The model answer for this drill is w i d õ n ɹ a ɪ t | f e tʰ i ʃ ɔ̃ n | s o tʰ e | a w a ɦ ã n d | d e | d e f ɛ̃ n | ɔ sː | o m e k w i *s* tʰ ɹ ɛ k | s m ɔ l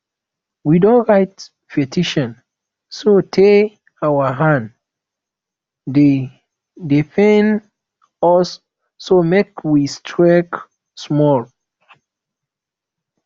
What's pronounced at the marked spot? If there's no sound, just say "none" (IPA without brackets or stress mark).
s